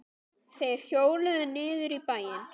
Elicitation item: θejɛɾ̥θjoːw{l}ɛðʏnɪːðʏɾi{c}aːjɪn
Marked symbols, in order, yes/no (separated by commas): yes, no